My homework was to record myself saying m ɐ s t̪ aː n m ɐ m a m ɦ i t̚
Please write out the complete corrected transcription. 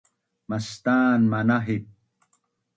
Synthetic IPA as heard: m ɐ s t̪ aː n m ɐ n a ɦ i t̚